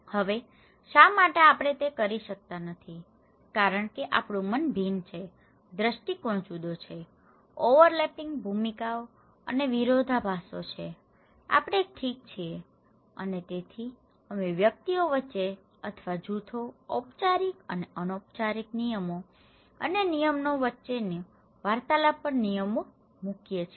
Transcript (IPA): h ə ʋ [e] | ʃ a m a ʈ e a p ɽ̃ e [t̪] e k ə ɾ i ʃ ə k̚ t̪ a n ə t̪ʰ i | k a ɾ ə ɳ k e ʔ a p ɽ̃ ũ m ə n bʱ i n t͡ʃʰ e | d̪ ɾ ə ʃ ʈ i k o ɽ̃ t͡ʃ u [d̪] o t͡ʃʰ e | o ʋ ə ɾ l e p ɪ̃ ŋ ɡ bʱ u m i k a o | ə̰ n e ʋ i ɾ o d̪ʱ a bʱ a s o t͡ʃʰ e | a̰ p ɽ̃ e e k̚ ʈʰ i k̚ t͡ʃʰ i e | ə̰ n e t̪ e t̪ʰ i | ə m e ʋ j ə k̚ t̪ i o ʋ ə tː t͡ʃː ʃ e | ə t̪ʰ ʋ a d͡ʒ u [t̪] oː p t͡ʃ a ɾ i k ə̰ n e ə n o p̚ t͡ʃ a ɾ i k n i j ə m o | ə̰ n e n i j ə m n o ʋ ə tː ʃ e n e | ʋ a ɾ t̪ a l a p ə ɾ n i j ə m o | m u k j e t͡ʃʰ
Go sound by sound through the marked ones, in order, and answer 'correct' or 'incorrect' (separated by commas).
correct, correct, correct, incorrect